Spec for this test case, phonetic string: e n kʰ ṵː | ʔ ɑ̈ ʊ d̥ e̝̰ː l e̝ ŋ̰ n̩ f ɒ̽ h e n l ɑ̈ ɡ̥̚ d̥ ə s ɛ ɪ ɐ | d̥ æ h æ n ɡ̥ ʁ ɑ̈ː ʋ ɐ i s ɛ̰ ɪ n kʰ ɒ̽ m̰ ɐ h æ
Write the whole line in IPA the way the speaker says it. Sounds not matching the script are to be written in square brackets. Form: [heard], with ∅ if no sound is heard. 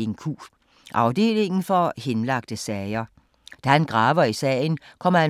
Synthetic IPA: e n kʰ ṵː | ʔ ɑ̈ ʊ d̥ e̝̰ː l e̝ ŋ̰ n̩ f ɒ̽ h e n l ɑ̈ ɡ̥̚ d̥ ə s ɛ ɪ ɐ | d̥ æ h æ n ɡ̥ ʁ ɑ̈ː ʋ ɐ i s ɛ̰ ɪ n kʰ ɒ̽ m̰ ɐ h æ

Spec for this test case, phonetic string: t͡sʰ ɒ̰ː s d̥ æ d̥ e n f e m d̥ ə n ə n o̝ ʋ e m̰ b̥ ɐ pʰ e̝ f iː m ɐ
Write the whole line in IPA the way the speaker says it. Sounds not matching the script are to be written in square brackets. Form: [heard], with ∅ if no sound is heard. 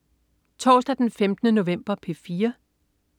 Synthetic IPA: t͡sʰ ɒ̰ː s d̥ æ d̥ e n f e m d̥ ə n ə n o̝ ʋ e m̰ b̥ ɐ pʰ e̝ f iː [∅] ɐ

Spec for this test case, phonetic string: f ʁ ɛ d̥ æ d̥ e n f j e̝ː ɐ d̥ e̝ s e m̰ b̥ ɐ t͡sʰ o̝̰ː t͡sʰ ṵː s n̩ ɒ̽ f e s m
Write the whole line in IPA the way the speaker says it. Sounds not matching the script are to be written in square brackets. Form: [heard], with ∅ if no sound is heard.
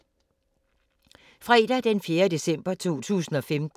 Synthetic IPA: f ʁ ɛ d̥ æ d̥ e n f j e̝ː ɐ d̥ e̝ s e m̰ b̥ ɐ t͡sʰ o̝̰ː t͡sʰ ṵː s n̩ ɒ̽ f e [∅] m

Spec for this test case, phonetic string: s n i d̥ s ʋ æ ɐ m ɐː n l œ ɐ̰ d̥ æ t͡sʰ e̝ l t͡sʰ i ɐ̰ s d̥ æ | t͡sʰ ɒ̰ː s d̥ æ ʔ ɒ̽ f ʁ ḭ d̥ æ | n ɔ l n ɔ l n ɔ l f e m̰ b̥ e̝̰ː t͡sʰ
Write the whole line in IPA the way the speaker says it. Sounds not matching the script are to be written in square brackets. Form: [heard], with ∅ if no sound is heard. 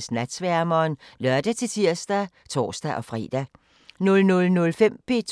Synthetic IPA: s n [æ] d̥ s ʋ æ ɐ m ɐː n l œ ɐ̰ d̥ æ t͡sʰ e̝ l t͡sʰ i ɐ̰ s d̥ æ | t͡sʰ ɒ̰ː s d̥ æ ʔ ɒ̽ f ʁ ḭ d̥ æ | n ɔ l n ɔ l n ɔ l f e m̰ b̥ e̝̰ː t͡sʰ

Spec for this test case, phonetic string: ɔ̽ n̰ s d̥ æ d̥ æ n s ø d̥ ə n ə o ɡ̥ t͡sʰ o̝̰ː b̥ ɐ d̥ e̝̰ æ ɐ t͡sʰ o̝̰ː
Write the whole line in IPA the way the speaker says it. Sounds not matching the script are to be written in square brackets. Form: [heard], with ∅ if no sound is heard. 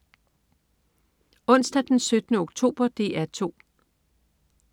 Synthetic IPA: ɔ̽ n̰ s d̥ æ d̥ [e] n s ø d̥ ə n ə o ɡ̥ t͡sʰ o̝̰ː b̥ ɐ d̥ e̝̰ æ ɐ t͡sʰ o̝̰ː

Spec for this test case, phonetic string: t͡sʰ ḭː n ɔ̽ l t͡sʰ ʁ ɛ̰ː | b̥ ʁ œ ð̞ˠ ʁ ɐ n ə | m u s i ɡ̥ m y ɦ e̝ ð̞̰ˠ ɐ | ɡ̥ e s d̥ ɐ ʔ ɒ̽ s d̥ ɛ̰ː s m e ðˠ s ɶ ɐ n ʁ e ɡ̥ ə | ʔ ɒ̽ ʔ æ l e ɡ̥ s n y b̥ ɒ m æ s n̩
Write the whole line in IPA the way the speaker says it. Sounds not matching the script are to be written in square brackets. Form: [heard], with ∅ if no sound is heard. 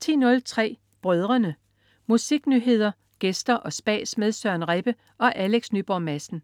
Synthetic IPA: t͡sʰ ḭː n ɔ̽ l t͡sʰ ʁ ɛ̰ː | b̥ ʁ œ ð̞ˠ ʁ ɐ n ə | m u s i ɡ̥ [n] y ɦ e̝ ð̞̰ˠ ɐ | ɡ̥ e s d̥ ɐ ʔ ɒ̽ s [b̥] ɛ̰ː s m e ðˠ s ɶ ɐ n ʁ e [b̥] ə | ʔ ɒ̽ ʔ æ l e ɡ̥ s n y b̥ ɒ m æ s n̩

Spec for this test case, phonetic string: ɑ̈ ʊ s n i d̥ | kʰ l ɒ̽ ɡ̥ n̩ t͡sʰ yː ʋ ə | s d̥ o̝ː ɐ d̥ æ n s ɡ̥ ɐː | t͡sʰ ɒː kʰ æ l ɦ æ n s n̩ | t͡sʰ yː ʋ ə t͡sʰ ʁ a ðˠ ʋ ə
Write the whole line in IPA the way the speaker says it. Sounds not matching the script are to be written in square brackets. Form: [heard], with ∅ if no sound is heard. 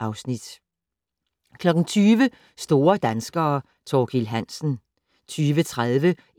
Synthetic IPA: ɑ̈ ʊ s n i d̥ | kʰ l ɒ̽ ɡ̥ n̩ t͡sʰ yː ʋ ə | s d̥ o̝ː ɐ d̥ æ n s ɡ̥ ɐː | t͡sʰ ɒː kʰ [i] l ɦ æ n s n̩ | t͡sʰ yː ʋ ə t͡sʰ ʁ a ðˠ ʋ ə

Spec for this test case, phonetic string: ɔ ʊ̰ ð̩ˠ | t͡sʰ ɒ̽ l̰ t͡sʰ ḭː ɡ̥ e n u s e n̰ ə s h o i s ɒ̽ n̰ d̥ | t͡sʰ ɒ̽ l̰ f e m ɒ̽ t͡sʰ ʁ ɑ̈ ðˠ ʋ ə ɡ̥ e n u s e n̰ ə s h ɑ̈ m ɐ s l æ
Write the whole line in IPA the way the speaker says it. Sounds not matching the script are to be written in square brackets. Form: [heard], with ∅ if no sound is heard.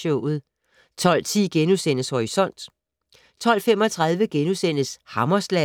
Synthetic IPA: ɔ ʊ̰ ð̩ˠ | t͡sʰ ɒ̽ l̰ t͡sʰ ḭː ɡ̥ e n u s e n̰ ə s h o i s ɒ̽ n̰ d̥ | t͡sʰ ɒ̽ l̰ f e m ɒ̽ t͡sʰ ʁ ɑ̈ ðˠ ʋ ə ɡ̥ e n u s e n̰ ə s h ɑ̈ m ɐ s l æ

